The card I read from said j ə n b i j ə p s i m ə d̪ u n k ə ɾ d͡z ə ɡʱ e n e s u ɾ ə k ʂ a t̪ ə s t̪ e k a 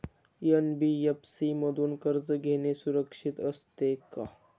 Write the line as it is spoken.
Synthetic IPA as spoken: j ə n b i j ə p s i m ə d̪ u n k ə ɾ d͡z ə ɡʱ e n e s u ɾ ə k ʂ i t̪ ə s t̪ e k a